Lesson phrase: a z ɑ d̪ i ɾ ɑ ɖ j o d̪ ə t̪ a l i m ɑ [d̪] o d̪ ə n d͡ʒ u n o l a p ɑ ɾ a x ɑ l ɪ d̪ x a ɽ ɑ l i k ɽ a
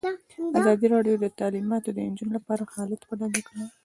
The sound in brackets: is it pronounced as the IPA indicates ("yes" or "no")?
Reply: no